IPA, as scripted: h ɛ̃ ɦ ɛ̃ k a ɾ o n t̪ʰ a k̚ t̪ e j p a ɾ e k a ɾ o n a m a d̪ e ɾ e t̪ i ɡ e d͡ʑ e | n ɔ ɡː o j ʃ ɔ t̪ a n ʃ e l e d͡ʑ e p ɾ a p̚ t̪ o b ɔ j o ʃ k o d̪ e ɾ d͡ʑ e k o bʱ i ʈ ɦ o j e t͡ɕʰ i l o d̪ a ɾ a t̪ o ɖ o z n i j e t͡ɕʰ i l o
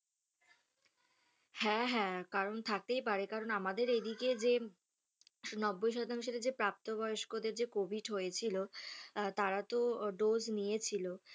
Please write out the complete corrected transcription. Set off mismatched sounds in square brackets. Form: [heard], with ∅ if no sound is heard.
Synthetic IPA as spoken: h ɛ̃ ɦ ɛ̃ k a ɾ o n t̪ʰ a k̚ t̪ e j p a ɾ e k a ɾ o n a m a d̪ e ɾ e [d̪] i [k] e d͡ʑ e | n ɔ [bː] o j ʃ ɔ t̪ a [ŋ] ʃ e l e d͡ʑ e p ɾ a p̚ t̪ o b ɔ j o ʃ k o d̪ e ɾ d͡ʑ e k o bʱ i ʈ ɦ o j e t͡ɕʰ i l o [t̪] a ɾ a t̪ o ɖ o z n i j e t͡ɕʰ i l o